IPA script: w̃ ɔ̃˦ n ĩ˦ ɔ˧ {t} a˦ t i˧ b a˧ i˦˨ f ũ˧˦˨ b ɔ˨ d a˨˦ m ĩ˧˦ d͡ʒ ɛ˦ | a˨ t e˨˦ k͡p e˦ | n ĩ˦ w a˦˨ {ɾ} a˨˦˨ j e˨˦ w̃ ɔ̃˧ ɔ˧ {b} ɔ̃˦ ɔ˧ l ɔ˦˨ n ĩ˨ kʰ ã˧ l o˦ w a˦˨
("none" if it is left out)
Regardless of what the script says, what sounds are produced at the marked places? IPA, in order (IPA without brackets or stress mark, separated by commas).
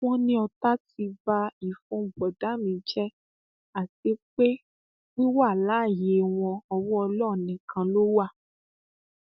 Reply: t, l, w